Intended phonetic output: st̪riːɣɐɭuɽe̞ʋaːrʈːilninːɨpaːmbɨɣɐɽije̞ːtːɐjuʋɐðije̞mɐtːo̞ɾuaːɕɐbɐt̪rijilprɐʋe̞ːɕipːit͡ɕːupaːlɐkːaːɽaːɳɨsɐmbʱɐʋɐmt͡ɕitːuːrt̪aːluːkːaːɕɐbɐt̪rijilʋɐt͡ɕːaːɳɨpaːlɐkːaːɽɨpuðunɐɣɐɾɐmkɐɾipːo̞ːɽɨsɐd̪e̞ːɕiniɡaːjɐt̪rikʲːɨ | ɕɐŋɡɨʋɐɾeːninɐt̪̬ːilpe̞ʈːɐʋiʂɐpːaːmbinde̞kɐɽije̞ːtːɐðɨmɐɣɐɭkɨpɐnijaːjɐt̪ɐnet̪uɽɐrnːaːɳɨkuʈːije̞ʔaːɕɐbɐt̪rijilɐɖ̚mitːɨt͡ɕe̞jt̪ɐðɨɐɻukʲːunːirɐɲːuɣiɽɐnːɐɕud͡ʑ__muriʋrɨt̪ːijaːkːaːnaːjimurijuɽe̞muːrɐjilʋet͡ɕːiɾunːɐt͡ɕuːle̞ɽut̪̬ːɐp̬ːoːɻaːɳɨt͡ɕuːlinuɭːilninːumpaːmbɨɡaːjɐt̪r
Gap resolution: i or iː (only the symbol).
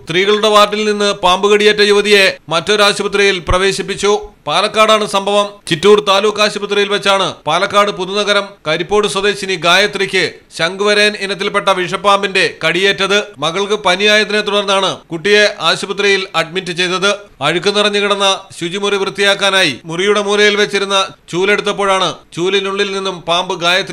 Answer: i